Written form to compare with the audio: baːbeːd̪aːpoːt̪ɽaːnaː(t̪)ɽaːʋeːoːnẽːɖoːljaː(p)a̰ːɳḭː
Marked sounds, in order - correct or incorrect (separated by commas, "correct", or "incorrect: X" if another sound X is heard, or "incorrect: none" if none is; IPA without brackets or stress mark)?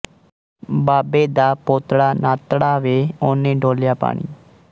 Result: correct, correct